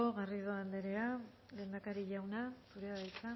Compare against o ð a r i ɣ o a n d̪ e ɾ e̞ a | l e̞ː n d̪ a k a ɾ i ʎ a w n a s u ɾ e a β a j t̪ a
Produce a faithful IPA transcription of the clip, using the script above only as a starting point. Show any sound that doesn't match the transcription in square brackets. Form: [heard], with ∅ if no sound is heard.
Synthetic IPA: o [ɣ] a r i [ð] o a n d̪ e ɾ e̞ a | l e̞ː n d̪ a k a ɾ i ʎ a w n a s u ɾ e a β a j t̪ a